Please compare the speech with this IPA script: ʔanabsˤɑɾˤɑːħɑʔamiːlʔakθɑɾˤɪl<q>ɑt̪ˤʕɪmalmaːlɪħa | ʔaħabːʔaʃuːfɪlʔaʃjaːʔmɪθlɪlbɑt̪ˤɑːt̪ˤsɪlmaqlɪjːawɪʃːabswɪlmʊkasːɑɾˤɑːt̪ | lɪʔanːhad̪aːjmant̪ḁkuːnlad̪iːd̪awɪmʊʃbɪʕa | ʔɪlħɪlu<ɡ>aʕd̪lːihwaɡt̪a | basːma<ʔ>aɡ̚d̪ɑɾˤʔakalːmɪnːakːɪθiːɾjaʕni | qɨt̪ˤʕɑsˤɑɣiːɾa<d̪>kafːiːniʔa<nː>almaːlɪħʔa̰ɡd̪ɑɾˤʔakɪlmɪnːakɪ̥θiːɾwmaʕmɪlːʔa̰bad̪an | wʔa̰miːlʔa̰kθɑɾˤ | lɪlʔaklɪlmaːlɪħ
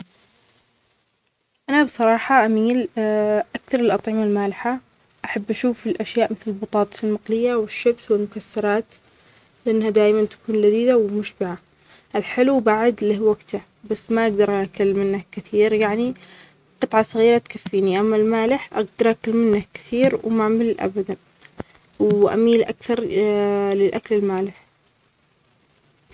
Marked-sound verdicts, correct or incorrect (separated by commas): incorrect, incorrect, correct, incorrect, incorrect